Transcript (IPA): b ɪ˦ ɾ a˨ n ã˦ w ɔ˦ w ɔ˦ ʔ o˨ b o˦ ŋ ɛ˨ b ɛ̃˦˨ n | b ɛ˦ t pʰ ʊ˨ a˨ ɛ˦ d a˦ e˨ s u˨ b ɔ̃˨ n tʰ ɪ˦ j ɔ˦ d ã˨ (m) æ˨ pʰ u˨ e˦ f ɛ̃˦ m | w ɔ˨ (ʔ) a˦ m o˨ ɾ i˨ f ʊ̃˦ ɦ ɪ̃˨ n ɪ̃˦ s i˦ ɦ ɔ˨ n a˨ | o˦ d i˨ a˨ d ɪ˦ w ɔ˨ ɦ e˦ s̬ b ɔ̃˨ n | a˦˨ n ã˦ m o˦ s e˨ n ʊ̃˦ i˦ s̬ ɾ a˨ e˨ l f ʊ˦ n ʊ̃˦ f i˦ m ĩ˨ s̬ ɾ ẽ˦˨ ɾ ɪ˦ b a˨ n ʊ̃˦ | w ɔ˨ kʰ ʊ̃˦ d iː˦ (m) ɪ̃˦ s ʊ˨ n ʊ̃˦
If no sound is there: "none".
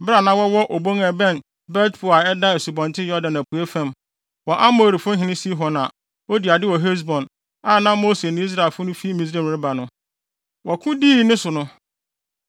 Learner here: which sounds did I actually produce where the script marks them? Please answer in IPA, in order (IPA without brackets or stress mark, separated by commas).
n, ʔ, n